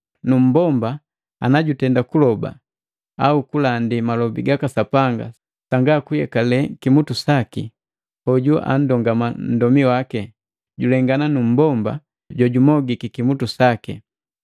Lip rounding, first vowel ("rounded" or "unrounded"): rounded